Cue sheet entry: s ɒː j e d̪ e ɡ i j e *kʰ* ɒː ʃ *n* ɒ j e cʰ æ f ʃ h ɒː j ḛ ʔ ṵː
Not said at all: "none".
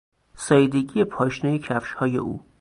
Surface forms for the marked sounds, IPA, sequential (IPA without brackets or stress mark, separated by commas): pʰ, n